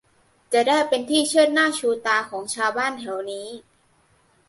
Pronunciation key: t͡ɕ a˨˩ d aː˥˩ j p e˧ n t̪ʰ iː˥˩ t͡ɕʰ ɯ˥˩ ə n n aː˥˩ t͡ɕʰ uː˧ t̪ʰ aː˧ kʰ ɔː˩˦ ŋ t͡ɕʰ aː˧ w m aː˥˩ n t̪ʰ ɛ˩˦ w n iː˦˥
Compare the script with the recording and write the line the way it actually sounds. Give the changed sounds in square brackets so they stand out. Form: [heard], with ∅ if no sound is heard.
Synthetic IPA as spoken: t͡ɕ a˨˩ d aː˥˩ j p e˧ n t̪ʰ iː˥˩ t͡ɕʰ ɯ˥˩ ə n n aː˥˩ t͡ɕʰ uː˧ [t̪] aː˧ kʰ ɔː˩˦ ŋ t͡ɕʰ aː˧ w [b] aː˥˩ n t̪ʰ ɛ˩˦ w n iː˦˥